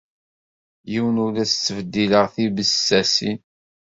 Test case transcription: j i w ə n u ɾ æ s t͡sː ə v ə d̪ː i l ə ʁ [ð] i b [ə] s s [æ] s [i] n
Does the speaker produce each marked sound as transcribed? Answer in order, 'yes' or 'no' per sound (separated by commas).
no, yes, yes, yes